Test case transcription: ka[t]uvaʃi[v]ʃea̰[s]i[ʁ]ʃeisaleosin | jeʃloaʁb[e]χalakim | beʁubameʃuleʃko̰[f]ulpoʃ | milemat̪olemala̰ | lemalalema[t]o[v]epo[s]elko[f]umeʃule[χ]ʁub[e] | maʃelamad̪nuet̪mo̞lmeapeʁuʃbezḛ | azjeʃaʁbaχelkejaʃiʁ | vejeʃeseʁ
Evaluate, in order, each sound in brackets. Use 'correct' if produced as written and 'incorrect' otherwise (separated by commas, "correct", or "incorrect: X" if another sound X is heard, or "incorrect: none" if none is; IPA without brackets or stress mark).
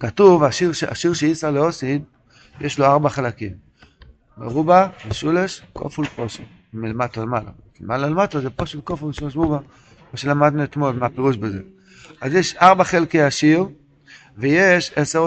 correct, incorrect: ʁ, incorrect: ʃ, correct, incorrect: a, correct, correct, incorrect: z, incorrect: ʃ, correct, incorrect: ʃ, incorrect: a